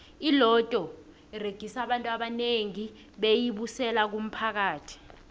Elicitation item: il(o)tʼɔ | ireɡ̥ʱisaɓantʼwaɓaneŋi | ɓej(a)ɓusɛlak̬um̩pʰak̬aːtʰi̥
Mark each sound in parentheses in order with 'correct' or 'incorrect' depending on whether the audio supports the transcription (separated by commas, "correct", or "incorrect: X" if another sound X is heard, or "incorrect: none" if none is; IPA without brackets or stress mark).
incorrect: ɔ, incorrect: i